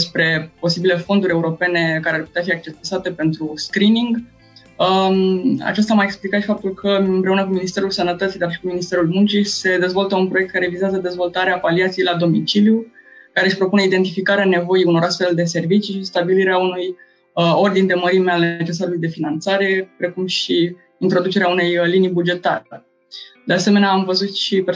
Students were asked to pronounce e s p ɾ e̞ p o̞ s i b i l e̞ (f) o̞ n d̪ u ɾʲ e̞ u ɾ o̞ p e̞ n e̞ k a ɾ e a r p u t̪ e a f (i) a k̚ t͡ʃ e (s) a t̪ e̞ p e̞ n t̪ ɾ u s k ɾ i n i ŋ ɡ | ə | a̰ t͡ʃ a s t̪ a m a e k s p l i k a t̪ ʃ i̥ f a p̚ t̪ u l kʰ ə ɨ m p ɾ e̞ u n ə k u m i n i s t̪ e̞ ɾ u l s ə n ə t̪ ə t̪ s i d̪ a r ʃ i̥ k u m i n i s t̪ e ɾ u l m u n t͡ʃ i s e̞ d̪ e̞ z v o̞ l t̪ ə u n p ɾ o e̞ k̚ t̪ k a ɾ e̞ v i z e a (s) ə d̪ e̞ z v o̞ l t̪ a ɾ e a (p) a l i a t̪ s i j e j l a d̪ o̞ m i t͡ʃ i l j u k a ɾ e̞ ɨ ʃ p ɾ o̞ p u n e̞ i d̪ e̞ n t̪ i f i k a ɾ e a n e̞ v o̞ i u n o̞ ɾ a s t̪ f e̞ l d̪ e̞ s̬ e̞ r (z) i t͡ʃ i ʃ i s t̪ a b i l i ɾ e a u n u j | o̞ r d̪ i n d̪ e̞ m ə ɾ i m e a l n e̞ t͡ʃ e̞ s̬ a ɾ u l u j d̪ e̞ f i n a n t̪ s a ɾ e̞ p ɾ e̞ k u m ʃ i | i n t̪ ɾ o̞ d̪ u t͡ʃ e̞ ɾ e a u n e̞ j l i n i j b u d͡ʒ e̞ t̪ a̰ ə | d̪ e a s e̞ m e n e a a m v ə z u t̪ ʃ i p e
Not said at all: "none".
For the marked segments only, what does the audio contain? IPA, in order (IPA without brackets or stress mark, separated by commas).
f, i, s, z, p, v